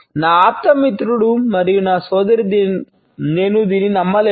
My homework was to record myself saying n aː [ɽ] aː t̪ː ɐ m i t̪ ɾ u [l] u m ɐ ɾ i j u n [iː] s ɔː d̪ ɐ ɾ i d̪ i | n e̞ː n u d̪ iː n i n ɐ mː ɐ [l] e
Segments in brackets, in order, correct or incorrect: incorrect, incorrect, incorrect, correct

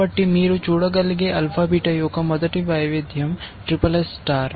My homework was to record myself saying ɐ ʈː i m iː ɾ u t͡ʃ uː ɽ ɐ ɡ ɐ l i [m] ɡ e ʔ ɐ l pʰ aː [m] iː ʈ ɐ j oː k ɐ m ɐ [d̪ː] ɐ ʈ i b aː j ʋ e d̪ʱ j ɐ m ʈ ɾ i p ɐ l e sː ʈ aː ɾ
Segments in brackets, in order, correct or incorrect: incorrect, incorrect, incorrect

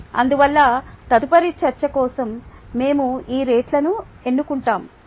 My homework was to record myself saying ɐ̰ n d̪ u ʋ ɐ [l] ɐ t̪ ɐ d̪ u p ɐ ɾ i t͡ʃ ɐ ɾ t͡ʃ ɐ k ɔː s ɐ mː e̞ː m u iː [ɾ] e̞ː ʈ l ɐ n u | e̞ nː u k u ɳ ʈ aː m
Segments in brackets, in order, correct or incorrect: incorrect, correct

